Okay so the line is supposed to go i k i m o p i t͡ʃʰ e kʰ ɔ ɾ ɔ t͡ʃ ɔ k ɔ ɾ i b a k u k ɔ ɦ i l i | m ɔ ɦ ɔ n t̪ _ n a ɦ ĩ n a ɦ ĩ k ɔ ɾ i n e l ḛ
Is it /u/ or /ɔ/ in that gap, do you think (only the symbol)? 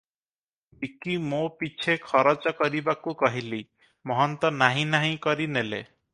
ɔ